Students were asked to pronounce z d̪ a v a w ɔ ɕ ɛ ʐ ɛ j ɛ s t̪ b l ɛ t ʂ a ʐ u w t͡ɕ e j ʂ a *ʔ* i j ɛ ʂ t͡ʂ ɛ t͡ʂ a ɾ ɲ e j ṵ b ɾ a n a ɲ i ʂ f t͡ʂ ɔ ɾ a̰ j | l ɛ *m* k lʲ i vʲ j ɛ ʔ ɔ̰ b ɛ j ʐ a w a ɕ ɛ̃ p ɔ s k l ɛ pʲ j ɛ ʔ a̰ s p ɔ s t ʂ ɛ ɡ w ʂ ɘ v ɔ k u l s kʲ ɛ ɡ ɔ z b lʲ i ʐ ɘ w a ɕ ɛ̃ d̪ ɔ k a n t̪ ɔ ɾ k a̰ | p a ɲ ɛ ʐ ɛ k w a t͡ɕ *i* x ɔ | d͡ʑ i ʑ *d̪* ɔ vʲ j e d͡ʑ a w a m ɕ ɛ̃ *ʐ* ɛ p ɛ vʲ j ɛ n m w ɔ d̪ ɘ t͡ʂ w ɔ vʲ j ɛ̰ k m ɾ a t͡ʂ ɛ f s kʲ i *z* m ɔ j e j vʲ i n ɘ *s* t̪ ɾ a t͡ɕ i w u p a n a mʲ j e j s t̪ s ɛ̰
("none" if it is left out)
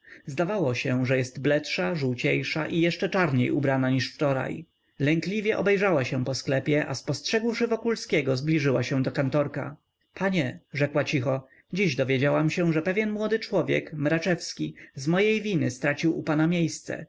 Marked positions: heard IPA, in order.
ʔ, ŋ, i, d̪, ʐ, z, s

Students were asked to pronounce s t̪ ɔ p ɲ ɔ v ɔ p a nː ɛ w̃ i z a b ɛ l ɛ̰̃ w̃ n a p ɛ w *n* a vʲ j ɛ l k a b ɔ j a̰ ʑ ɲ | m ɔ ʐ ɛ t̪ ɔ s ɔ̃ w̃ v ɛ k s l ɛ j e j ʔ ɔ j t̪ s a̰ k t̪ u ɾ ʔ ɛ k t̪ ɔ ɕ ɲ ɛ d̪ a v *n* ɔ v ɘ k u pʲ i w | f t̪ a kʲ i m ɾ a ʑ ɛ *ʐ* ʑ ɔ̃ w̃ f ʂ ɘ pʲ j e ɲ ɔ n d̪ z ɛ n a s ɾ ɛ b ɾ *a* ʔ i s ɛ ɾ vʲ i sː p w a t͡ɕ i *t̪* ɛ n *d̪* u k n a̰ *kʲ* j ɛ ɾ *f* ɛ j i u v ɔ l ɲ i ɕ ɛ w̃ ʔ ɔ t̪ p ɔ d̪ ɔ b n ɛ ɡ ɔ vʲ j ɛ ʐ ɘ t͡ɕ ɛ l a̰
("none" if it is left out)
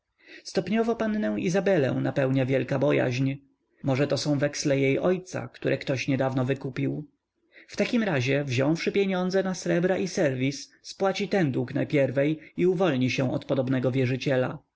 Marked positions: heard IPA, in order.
ɲ, n, v, a, t̪, d̪, pʲ, v

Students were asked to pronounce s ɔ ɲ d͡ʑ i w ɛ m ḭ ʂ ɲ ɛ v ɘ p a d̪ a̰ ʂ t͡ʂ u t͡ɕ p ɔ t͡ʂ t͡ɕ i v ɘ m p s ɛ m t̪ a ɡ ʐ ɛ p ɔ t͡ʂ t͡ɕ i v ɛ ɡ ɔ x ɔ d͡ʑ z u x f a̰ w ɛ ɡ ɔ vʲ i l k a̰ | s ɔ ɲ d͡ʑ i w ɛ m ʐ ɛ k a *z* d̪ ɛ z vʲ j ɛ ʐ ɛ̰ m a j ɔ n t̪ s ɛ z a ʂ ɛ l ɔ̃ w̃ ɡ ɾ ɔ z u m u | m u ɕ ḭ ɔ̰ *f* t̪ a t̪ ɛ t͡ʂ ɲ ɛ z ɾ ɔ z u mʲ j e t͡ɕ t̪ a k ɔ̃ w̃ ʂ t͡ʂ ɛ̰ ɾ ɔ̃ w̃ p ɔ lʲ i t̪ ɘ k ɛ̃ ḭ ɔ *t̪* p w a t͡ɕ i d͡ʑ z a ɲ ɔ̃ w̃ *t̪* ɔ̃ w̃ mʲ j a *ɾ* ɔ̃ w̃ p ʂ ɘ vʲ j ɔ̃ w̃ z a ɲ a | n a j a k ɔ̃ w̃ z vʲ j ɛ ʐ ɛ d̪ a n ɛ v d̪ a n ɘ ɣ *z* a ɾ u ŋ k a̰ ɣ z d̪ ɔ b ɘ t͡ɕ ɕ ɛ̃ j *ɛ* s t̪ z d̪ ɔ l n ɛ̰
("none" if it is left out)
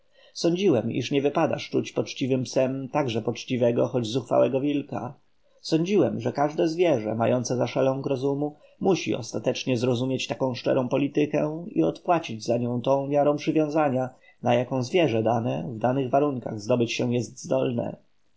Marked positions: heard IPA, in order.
ʐ, s, t̪, t̪, ɾ, v, ɛ

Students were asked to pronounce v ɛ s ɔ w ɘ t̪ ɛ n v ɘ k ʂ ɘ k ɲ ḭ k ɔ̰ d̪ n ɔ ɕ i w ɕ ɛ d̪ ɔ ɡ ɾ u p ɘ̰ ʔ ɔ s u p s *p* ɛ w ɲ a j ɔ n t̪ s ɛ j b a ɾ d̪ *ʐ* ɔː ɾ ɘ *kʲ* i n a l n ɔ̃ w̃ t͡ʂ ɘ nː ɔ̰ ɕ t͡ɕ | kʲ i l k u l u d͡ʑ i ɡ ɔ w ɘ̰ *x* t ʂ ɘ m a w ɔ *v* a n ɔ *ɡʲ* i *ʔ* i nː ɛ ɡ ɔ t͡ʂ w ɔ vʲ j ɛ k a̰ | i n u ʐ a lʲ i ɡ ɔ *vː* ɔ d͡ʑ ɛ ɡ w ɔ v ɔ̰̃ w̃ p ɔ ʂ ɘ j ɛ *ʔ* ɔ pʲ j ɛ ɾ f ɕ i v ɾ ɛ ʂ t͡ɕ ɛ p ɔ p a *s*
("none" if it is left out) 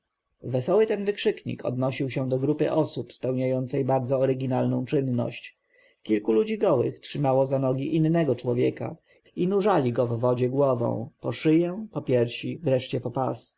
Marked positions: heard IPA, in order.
p, z, ɡʲ, x, z, ɡʲ, ʔ, vː, p, s

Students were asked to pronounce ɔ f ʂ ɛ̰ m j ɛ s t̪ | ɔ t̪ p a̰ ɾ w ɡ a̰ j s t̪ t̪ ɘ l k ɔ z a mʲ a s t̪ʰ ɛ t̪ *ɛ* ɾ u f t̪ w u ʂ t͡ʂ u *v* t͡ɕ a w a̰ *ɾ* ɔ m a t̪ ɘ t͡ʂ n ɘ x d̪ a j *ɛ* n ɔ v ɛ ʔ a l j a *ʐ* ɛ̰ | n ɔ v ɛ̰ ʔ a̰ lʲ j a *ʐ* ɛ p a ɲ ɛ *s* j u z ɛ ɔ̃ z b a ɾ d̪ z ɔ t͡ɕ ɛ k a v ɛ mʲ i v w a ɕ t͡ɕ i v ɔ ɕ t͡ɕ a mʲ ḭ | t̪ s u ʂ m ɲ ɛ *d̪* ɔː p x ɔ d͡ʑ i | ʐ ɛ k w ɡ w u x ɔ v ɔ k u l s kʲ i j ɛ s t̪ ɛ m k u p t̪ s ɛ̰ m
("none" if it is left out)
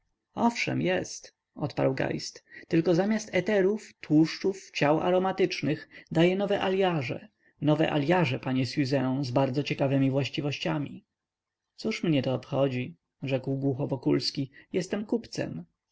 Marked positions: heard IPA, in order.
ɛ, f, ɾ, ɛ, ʐ, ʐ, s, t̪

